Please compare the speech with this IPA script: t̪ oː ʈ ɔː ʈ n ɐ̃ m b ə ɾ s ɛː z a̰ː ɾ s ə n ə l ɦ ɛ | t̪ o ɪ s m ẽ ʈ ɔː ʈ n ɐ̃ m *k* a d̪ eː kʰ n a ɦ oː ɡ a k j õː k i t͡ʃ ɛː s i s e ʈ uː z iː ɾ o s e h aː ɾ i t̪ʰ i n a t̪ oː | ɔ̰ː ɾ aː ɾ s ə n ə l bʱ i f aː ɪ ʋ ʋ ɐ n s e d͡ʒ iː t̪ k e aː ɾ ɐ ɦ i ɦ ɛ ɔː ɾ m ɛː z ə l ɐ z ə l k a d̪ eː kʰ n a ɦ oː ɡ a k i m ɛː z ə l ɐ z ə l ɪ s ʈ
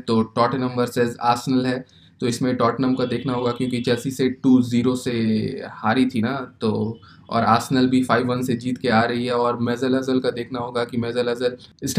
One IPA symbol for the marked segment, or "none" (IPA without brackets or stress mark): k